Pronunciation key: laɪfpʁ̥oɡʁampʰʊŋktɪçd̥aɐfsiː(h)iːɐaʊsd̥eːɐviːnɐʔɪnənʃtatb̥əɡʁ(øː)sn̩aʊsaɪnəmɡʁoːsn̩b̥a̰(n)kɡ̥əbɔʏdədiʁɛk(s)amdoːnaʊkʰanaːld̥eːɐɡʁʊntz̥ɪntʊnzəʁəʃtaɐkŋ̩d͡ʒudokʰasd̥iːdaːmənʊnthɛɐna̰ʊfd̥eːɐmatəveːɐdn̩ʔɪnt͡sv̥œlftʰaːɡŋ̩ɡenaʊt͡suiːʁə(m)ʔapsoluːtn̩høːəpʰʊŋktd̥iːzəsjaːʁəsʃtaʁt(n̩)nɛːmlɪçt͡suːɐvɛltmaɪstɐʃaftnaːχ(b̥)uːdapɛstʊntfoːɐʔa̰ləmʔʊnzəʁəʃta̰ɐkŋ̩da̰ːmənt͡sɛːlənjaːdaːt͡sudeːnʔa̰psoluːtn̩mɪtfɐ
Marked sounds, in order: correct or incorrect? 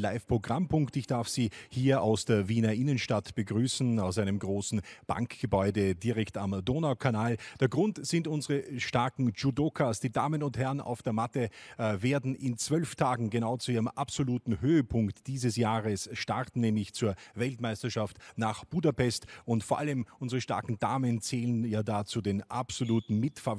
correct, incorrect: yː, incorrect: ŋ, incorrect: t, correct, correct, correct

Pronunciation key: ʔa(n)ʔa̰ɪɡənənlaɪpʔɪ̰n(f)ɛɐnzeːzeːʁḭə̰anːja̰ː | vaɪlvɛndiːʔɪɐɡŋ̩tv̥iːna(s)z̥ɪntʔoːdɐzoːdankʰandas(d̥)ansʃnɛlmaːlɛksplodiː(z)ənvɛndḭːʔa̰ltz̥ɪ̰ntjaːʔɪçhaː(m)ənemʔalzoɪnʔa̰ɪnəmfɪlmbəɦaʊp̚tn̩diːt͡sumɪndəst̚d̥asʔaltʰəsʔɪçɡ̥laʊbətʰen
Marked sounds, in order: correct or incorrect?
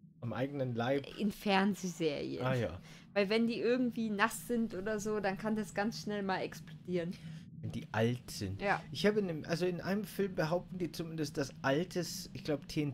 incorrect: m, correct, correct, incorrect: ɡ̥, incorrect: ʁ, incorrect: b

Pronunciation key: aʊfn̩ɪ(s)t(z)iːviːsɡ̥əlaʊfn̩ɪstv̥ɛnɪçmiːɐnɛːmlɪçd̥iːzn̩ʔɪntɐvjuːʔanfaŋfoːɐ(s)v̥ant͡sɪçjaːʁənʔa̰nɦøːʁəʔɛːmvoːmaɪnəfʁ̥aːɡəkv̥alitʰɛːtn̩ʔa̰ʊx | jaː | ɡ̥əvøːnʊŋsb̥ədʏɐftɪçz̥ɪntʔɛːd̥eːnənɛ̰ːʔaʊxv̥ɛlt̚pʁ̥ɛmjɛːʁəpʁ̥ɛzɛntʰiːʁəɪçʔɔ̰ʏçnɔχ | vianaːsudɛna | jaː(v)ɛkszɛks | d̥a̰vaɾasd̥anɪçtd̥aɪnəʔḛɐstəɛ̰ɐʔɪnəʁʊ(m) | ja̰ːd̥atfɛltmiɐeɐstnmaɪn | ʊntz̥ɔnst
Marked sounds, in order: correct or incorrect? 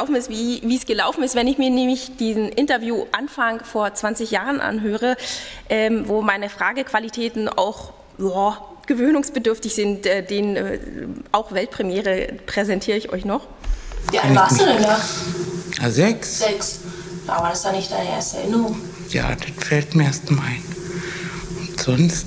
correct, incorrect: v, incorrect: t͡s, incorrect: z, incorrect: ŋ

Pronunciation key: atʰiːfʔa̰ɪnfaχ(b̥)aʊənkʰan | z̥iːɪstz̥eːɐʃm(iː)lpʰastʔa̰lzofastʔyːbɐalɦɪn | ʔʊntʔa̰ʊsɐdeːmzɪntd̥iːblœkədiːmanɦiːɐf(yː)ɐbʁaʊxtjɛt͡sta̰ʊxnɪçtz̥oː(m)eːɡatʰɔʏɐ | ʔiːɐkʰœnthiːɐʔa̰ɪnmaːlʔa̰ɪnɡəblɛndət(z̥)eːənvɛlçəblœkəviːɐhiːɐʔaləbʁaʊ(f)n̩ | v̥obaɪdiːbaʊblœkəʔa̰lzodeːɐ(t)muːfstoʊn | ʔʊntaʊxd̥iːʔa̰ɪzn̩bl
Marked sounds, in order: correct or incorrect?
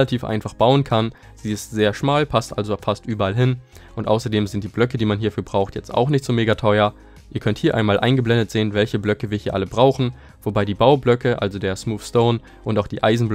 correct, incorrect: aː, correct, correct, correct, incorrect: x, incorrect: s

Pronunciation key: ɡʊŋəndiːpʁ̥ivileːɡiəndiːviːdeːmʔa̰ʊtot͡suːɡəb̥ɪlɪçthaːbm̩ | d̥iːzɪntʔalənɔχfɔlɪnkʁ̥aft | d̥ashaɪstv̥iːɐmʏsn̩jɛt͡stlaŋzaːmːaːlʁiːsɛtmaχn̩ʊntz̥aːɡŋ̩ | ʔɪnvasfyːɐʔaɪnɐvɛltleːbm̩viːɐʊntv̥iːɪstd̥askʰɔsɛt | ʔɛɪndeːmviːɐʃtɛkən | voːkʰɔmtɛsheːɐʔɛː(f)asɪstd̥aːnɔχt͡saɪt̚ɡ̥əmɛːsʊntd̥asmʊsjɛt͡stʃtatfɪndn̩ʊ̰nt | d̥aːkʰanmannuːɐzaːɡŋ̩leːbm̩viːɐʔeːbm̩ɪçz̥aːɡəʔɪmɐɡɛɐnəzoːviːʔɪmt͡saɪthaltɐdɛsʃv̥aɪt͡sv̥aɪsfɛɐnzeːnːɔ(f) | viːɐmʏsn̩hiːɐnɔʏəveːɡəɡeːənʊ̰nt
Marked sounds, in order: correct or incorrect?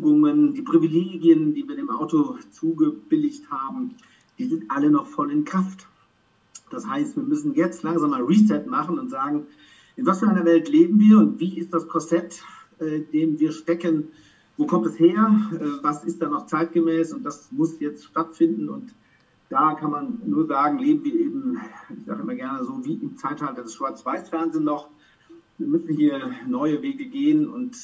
incorrect: v, incorrect: χ

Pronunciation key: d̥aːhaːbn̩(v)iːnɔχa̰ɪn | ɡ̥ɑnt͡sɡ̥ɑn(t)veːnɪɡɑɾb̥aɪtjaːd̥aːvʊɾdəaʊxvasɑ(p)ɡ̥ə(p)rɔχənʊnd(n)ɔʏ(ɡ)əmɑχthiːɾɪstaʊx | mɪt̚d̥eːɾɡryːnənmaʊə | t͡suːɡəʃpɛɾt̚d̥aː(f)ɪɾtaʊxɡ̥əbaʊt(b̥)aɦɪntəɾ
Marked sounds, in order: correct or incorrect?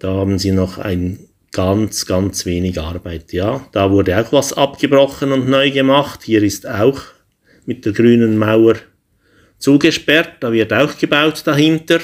incorrect: z, incorrect: t͡s, correct, incorrect: b, correct, correct, incorrect: v, incorrect: d̥

